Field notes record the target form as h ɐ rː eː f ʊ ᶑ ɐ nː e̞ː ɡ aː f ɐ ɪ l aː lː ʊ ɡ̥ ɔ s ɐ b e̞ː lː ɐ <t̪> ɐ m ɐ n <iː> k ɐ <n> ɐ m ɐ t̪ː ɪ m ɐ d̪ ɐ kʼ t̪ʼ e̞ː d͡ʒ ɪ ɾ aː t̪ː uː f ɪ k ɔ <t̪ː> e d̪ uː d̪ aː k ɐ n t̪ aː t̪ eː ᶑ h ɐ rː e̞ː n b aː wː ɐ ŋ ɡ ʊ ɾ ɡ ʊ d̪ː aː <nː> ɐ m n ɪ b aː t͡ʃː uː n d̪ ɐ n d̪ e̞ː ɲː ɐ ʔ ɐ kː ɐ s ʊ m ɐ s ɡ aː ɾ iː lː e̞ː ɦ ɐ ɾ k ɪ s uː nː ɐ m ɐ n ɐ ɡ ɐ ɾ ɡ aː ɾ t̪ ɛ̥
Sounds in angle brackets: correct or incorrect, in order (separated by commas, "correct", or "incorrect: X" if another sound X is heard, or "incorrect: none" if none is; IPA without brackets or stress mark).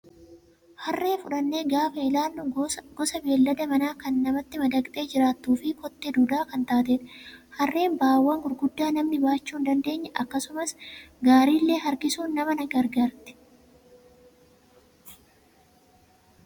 incorrect: d̪, incorrect: aː, incorrect: nː, correct, incorrect: n